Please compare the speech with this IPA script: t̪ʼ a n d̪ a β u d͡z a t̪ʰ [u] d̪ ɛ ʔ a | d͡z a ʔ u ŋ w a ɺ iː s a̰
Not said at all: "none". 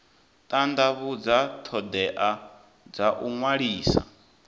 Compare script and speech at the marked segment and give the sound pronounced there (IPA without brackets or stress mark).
ɔ